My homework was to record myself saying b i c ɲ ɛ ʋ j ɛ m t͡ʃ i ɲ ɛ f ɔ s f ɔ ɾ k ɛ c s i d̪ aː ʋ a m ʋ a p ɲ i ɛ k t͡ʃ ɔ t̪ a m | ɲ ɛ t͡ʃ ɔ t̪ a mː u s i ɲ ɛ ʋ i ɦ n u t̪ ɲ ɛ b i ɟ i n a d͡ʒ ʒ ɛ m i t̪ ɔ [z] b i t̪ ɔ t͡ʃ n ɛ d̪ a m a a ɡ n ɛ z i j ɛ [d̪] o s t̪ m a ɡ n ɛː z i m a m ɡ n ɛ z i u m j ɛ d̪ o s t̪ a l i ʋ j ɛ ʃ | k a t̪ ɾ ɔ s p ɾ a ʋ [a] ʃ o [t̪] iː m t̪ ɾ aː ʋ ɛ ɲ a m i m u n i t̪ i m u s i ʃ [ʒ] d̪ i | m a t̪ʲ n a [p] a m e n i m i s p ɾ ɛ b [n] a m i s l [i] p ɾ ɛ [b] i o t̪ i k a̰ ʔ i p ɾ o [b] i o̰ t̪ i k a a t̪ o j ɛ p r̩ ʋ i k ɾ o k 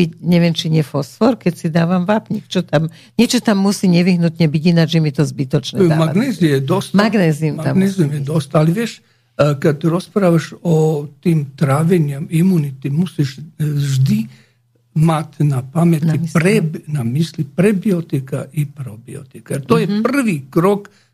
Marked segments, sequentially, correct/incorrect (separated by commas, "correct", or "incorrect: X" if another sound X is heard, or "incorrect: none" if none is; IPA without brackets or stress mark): correct, correct, correct, correct, correct, correct, correct, correct, correct, correct